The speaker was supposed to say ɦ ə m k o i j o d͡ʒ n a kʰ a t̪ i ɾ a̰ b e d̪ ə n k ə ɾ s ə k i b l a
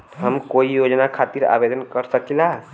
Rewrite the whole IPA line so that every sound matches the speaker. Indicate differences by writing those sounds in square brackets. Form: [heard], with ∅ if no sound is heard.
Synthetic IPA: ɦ ə m k o i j o d͡ʒ n a kʰ a t̪ i ɾ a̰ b e d̪ ə n k ə ɾ s ə k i [∅] l a